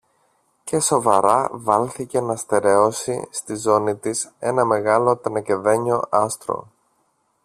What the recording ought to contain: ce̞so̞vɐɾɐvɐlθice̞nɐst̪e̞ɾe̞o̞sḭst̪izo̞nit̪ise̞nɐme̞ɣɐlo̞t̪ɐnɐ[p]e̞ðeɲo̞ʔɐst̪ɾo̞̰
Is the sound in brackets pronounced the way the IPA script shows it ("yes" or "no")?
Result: no